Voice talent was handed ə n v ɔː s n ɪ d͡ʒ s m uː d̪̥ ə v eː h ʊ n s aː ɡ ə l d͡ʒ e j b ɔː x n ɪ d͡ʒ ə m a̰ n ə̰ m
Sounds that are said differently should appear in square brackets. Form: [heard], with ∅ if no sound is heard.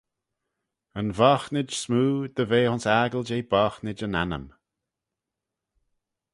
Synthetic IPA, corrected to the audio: ə n v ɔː [x] n ɪ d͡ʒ s m uː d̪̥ ə v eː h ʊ n s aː ɡ ə l d͡ʒ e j b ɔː x n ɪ d͡ʒ ə [n] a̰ n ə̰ m